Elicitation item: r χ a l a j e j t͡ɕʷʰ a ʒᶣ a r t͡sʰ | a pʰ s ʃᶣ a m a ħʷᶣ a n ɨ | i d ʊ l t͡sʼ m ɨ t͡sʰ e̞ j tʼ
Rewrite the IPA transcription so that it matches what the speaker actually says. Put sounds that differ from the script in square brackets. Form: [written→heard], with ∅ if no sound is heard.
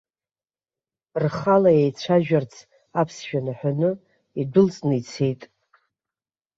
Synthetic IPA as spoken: r χ a l a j e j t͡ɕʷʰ a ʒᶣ a r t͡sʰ | a pʰ s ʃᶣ a [m→n] a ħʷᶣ a n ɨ | i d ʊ l t͡sʼ [m→n] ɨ t͡sʰ e̞ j tʼ

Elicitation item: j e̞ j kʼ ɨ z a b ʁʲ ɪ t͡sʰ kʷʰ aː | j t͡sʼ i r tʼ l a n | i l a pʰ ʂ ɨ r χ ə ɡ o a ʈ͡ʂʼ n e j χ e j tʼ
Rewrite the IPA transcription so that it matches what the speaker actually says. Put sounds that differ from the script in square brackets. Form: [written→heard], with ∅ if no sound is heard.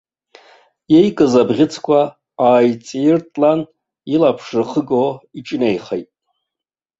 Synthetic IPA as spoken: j e̞ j kʼ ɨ z a b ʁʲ ɪ t͡sʰ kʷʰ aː | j t͡sʼ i r tʼ l a n | i l a pʰ ʂ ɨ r χ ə ɡ o [a→i] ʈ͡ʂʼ n e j χ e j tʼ

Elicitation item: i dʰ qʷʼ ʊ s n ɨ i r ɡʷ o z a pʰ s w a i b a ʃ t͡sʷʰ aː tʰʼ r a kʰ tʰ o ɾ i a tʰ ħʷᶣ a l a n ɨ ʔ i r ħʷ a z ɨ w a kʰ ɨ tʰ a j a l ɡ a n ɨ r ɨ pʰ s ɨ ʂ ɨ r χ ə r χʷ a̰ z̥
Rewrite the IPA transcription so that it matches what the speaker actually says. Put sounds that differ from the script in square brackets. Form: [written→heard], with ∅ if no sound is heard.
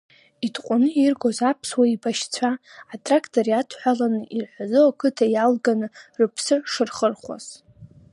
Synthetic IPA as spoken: i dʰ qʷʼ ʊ [s→∅] n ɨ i r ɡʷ o z a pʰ s w a i b a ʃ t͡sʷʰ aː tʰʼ r a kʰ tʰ o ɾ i a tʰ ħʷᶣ a l a n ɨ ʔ i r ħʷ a z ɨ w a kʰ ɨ tʰ a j a l ɡ a n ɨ r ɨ pʰ s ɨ ʂ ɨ r χ ə r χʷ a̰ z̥

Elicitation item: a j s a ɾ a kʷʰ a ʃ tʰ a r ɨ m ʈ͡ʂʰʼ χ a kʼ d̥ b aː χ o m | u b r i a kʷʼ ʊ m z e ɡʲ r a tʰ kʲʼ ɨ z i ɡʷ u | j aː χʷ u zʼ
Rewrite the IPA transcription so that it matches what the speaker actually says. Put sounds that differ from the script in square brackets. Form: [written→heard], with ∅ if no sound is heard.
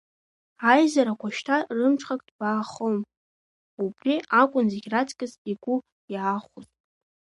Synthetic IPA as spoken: a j [s→z] a ɾ a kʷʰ a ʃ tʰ a r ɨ m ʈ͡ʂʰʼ χ a kʼ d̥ b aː χ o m | u b r i a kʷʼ ʊ [m→n] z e ɡʲ r a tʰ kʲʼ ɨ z i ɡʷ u | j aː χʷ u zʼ

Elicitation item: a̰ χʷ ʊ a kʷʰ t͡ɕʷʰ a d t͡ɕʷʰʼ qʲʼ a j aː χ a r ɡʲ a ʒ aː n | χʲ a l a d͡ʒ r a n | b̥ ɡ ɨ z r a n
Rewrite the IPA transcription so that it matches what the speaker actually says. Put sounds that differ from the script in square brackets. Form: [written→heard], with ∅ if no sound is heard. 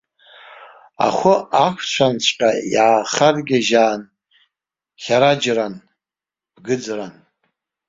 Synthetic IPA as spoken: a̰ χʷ ʊ a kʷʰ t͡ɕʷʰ a [d→n] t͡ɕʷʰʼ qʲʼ a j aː χ a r ɡʲ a ʒ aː n | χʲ a [l→ɾ] a d͡ʒ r a n | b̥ ɡ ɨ [z→d͡z] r a n

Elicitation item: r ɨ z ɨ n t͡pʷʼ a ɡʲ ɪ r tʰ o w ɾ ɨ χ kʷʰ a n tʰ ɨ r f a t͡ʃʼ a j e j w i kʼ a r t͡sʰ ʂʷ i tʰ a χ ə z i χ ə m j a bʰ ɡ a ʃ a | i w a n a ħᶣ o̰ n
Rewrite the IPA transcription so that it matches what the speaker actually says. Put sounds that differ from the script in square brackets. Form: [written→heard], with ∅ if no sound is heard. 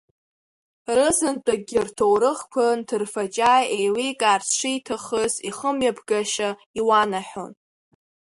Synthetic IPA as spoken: r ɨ z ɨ n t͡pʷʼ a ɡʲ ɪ r tʰ o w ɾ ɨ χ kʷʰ a n tʰ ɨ r f a t͡ʃʼ a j e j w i kʼ a r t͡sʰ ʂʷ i tʰ a χ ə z i χ ə m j a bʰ ɡ a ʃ a | i w a n a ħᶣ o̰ n

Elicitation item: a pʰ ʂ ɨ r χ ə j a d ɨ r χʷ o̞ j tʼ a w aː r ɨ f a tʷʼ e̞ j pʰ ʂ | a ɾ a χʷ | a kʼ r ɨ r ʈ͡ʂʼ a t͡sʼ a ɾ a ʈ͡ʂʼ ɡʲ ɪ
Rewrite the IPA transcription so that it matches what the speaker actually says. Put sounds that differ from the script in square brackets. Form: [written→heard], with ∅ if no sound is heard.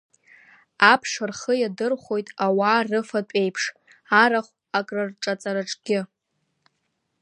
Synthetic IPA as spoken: a pʰ ʂ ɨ r χ ə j a d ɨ r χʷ o̞ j tʼ a w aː r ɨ f a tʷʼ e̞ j pʰ ʂ | a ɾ a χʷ | a kʼ r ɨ r ʈ͡ʂʼ a t͡sʼ a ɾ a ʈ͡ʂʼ ɡʲ ɪ

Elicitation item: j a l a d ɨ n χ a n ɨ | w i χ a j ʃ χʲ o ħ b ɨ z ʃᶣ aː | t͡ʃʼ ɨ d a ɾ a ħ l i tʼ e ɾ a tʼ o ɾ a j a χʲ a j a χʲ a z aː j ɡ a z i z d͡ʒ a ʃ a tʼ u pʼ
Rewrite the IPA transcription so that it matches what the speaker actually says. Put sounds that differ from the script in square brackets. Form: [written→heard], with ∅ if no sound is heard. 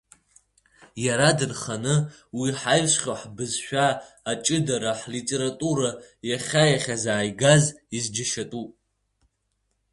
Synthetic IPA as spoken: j a [l→ɾ] a d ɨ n χ a n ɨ | w i [χ→ħ] a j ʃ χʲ o ħ b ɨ z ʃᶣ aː | t͡ʃʼ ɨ d a ɾ a ħ l i tʼ e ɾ a tʼ [o→u] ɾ a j a χʲ a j a χʲ a z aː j ɡ a z i z d͡ʒ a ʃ a tʼ u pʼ

